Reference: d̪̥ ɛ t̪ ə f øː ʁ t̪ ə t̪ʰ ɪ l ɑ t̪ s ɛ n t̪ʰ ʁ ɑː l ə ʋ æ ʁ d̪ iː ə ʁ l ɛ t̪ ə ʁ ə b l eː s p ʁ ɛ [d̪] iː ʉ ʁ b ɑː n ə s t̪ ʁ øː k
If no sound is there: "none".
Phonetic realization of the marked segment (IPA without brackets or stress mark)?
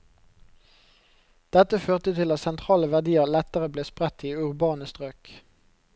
t̪